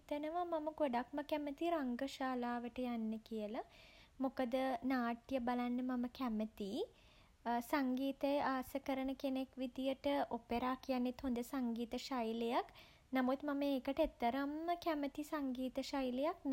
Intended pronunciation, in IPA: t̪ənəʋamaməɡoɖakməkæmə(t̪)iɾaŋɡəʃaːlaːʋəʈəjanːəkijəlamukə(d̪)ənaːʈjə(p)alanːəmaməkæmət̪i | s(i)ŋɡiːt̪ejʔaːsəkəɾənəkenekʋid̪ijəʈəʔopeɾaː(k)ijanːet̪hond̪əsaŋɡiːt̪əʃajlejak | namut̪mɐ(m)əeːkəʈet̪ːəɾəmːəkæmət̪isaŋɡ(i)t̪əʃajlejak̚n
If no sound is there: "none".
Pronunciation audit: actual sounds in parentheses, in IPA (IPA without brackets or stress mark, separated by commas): t̪, d̪, b, a, k, m, iː